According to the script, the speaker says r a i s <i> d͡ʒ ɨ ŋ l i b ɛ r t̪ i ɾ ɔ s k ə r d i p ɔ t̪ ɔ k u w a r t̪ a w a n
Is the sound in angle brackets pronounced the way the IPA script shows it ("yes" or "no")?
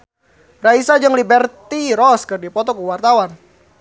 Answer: no